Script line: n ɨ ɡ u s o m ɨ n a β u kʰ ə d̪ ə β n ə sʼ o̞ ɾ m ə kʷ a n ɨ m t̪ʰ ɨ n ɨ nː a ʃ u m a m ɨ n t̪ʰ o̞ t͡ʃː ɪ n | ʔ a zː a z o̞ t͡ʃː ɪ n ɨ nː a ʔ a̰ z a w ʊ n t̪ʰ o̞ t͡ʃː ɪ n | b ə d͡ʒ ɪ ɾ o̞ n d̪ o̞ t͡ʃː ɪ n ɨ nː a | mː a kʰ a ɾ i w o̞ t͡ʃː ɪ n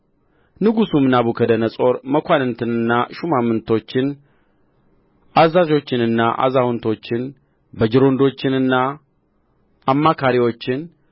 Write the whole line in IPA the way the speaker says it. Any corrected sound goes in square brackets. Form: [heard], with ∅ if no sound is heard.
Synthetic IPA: n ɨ ɡ u s [u] m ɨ n a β u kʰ ə d̪ ə [∅] n ə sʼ o̞ ɾ m ə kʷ a n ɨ [n] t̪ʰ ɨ n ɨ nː a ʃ u m a m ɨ n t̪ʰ o̞ t͡ʃː ɪ n | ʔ a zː a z o̞ t͡ʃː ɪ n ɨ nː a ʔ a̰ z a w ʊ n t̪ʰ o̞ t͡ʃː ɪ n | b ə d͡ʒ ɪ ɾ o̞ n d̪ o̞ t͡ʃː ɪ n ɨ nː a | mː a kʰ a ɾ i w o̞ t͡ʃː ɪ n